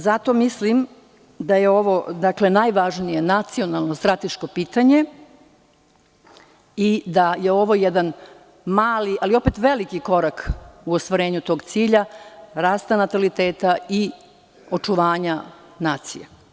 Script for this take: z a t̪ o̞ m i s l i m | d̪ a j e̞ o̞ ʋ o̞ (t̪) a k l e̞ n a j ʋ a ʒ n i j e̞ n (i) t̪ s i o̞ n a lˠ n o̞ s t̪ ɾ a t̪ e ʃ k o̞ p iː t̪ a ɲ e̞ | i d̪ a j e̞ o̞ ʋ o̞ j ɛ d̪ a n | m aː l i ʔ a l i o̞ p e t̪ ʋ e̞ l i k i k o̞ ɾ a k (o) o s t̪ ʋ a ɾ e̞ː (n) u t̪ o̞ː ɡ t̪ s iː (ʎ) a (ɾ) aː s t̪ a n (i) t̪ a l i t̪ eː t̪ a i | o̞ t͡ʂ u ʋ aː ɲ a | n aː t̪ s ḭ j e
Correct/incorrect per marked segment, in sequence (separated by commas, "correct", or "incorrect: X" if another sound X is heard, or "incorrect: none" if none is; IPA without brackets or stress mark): incorrect: d̪, incorrect: a, incorrect: u, incorrect: ɲ, correct, correct, incorrect: a